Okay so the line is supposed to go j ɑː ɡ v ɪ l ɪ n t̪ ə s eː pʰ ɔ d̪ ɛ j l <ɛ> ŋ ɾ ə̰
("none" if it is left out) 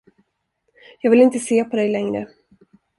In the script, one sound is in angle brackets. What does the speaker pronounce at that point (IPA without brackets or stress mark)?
ɛ